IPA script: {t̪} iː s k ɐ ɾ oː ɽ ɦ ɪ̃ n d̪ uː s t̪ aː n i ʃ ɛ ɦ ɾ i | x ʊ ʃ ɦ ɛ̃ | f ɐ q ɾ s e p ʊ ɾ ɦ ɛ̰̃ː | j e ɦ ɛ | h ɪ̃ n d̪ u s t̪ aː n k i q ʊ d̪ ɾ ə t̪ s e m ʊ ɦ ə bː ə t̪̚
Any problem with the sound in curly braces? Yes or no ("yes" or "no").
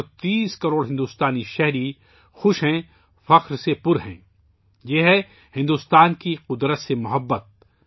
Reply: no